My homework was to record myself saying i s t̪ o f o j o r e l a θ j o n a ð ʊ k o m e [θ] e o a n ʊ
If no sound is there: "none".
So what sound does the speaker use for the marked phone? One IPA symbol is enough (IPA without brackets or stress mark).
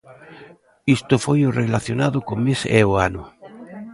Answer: s